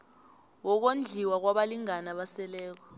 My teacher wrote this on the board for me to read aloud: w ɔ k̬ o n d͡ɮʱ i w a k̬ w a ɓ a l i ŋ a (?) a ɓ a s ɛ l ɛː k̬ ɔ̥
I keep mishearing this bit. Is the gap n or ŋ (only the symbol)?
n